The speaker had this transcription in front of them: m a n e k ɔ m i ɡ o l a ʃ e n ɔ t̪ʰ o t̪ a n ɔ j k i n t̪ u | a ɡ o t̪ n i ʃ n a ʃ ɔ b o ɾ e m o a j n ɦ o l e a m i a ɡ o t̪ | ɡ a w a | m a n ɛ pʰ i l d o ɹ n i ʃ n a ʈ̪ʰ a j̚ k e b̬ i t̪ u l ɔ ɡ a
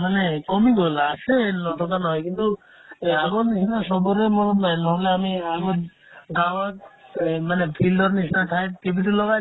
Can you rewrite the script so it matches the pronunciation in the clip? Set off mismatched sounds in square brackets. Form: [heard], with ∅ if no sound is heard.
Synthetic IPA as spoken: m a n e k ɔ m i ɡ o l a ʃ e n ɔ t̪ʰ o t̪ a n ɔ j k i n t̪ u | a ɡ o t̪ n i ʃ n a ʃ ɔ b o ɾ e m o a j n ɦ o l e a m i a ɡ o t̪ | ɡ a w a | m a n [e] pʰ i l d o [ɾ] n i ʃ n a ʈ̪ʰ a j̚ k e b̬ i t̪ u l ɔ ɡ a